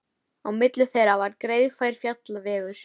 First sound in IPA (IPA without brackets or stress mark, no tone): a